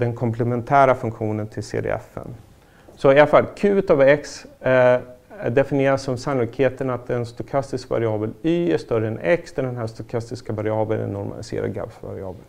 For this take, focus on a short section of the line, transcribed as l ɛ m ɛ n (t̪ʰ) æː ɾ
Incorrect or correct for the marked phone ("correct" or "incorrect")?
correct